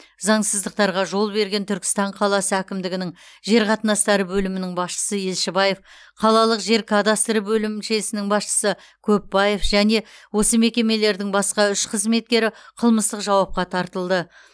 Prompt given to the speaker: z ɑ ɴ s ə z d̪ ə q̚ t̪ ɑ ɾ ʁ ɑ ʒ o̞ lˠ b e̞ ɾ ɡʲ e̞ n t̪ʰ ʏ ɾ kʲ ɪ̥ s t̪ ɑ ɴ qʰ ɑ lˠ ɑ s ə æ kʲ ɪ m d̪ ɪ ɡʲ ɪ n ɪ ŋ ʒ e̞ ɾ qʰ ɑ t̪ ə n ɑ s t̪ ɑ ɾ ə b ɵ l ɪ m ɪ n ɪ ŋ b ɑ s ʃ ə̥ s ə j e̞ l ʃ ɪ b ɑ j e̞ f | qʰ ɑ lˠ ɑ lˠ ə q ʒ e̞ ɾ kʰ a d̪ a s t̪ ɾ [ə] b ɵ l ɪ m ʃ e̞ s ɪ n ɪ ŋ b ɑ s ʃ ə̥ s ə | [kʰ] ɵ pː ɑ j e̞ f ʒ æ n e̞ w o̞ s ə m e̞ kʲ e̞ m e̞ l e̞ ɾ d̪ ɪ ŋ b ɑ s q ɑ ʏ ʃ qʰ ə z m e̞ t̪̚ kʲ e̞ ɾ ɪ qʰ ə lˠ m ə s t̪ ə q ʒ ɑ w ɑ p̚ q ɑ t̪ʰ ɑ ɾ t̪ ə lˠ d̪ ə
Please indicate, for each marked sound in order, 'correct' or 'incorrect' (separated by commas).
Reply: correct, correct